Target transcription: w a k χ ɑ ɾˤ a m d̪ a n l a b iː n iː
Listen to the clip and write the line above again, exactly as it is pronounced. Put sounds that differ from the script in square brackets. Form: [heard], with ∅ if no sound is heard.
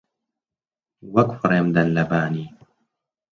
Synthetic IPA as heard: w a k [f] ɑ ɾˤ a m d̪ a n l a b [aː] n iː